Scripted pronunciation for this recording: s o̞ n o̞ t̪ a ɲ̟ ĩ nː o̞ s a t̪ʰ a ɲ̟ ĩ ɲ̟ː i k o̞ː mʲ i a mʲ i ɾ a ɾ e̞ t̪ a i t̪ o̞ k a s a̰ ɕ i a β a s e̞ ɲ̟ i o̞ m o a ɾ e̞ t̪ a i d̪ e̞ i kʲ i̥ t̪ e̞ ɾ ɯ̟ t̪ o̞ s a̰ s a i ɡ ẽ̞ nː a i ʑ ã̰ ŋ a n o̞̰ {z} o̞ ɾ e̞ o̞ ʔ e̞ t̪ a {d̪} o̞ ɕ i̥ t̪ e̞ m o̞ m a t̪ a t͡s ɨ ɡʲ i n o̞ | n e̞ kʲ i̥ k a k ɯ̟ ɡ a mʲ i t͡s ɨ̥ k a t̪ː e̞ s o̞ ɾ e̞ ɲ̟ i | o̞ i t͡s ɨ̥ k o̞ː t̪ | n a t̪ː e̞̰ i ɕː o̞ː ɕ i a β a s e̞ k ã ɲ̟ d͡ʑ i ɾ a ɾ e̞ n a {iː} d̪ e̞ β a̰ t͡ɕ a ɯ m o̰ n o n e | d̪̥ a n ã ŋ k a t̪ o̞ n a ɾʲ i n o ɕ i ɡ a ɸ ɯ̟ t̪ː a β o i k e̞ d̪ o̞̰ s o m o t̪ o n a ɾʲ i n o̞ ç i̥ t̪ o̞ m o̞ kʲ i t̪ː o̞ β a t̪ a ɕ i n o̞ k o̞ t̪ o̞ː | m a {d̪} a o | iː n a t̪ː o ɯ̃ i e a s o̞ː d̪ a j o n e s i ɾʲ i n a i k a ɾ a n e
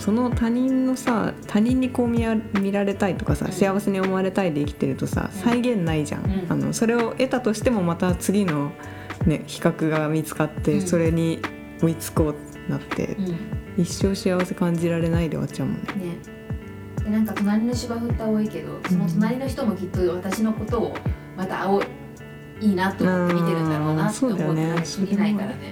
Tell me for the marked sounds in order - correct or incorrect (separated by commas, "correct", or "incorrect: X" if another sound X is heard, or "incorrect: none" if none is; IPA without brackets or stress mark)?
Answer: incorrect: s, incorrect: t̪, incorrect: i, incorrect: t̪